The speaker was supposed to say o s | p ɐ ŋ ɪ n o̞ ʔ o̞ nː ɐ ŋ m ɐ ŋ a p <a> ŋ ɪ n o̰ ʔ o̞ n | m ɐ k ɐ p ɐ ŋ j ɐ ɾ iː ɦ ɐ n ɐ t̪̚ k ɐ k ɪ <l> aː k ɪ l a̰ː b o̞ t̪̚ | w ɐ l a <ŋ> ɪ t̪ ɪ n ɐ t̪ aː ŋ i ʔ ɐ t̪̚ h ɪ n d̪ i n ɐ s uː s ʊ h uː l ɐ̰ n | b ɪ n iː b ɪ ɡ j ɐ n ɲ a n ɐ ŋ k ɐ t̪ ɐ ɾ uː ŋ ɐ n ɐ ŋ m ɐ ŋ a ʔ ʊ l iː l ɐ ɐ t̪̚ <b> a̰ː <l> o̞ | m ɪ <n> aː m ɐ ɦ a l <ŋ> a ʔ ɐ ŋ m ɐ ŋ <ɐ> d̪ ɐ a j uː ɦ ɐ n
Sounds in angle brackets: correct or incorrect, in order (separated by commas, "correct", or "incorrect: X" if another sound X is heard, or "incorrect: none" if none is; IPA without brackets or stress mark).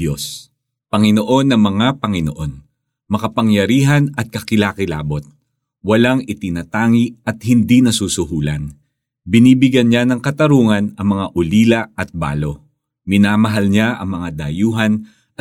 incorrect: ɐ, correct, correct, correct, correct, correct, incorrect: ɲ, incorrect: a